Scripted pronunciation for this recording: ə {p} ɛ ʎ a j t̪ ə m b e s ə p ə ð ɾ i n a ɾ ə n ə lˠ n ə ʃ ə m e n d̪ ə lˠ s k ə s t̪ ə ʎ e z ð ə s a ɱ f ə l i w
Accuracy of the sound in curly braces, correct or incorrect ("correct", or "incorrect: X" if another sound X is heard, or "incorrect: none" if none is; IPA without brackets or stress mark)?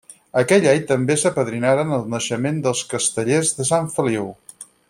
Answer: incorrect: k